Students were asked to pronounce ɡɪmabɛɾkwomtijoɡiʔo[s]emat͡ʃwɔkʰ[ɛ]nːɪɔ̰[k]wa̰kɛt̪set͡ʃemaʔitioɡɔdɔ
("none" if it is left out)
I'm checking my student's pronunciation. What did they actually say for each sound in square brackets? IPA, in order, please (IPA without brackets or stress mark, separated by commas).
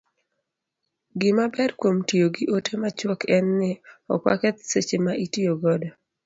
t, ɛ, k